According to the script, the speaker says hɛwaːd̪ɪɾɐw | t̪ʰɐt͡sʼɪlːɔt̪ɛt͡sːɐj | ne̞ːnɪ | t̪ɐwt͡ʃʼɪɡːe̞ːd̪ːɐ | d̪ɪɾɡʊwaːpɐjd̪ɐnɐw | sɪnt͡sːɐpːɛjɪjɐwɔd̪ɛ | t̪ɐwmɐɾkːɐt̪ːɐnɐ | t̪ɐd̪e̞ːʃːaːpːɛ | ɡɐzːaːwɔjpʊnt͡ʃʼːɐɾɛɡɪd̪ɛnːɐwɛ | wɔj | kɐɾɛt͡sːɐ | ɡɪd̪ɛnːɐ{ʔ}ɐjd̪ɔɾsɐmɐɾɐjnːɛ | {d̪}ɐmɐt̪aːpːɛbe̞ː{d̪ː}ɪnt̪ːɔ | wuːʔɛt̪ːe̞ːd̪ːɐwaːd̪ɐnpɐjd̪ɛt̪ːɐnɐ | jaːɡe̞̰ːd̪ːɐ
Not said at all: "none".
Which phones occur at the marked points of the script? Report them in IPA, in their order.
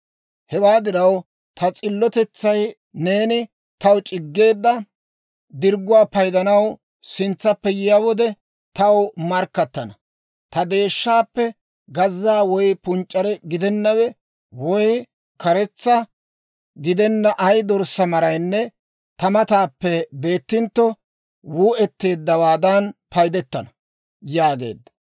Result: ʔ, t̪, t̪ː

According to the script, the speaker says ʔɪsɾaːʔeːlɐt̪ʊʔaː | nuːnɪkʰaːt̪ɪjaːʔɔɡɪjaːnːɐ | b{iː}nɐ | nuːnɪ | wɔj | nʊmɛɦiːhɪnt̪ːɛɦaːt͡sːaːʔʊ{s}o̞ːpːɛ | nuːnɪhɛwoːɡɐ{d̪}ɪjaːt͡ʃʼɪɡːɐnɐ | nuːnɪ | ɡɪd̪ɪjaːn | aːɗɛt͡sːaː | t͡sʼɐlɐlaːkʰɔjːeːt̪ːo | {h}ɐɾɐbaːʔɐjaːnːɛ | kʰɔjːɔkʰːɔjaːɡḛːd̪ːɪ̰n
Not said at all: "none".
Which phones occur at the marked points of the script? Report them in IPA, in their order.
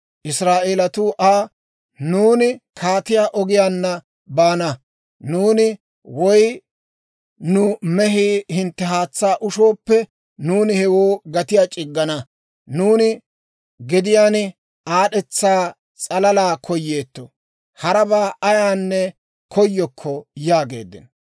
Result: aː, ʃ, t̪, h

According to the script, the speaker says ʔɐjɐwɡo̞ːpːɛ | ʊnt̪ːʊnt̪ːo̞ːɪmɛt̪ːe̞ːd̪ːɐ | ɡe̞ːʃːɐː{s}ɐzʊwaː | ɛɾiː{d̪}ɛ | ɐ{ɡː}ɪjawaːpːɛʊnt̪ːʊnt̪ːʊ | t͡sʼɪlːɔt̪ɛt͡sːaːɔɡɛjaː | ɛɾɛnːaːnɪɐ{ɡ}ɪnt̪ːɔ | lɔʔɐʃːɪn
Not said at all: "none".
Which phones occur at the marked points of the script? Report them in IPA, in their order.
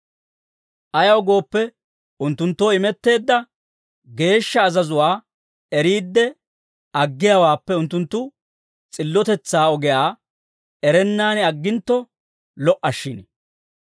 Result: z, d̪ː, ɡː, ɡː

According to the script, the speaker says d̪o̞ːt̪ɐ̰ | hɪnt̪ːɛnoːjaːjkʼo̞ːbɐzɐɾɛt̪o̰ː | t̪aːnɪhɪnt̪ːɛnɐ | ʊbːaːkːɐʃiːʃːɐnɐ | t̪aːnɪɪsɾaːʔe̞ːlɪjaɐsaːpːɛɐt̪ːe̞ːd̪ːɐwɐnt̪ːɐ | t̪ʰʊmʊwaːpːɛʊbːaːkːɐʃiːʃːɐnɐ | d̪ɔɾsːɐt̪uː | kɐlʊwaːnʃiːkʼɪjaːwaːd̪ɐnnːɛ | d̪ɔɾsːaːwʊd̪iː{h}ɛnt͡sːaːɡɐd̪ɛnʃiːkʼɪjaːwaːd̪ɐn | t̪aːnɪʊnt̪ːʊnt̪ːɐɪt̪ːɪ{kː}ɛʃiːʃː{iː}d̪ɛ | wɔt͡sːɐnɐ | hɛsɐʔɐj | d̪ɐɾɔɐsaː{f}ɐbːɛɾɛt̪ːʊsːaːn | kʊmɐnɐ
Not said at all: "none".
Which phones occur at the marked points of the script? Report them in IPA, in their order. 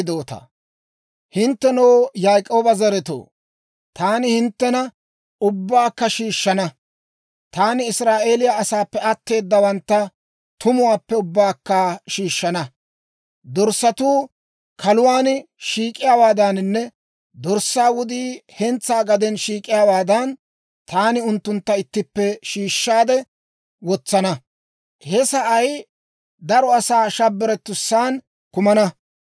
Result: h, pː, aː, ʃ

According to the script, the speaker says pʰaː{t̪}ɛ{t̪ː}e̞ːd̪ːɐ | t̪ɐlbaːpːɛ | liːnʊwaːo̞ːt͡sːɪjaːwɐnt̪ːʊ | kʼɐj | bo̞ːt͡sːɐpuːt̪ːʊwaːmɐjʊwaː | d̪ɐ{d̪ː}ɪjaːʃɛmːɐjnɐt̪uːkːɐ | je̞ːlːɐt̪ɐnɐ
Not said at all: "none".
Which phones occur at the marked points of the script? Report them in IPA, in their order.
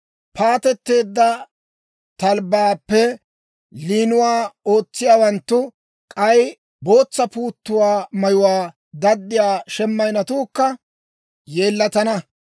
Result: t̪, t̪ː, d̪ː

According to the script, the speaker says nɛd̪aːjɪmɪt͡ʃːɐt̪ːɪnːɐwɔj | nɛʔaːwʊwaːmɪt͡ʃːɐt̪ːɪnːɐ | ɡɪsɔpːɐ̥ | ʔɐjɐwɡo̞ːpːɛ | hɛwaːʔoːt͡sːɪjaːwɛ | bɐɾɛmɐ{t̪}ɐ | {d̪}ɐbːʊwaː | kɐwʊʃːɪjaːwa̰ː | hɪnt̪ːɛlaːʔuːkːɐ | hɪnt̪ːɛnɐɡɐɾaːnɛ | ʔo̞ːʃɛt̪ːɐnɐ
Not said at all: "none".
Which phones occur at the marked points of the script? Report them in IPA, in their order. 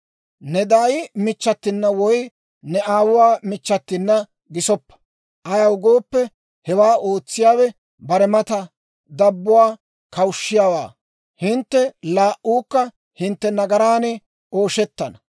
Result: t̪, d̪

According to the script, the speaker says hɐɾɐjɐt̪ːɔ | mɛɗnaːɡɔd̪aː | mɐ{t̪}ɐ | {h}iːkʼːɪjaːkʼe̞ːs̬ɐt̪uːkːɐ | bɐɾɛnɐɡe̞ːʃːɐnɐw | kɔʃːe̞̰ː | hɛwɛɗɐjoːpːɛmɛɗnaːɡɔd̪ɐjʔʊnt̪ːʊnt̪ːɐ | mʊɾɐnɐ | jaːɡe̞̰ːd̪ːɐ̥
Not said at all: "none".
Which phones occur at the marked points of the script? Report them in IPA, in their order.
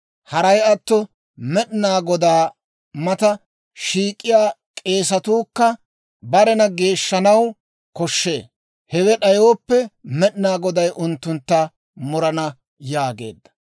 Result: t̪, ʃ

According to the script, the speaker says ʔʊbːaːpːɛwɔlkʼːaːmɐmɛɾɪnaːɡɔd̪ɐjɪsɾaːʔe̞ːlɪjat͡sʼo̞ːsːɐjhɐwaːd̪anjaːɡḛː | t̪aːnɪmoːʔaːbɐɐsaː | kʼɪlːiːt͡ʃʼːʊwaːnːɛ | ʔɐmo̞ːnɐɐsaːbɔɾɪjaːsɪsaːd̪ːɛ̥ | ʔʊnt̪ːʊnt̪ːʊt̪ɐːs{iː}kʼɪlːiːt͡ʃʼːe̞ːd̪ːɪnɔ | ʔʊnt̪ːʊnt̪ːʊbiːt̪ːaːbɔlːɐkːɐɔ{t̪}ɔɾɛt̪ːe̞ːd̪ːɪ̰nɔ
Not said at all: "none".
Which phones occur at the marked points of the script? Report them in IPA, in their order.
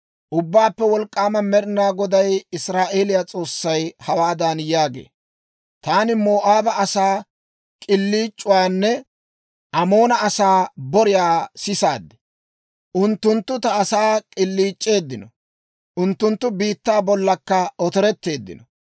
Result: aː, t̪

